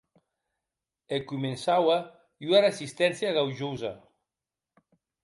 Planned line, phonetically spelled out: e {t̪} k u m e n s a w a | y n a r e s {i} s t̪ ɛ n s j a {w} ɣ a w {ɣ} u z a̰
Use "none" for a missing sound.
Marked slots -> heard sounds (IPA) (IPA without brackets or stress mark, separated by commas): none, i, none, ʒ